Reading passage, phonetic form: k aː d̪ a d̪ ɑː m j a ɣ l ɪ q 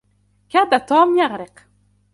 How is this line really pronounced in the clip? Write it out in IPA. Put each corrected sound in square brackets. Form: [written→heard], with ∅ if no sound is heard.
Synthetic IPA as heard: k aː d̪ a [d̪→t̪] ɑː m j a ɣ [l→ɾ] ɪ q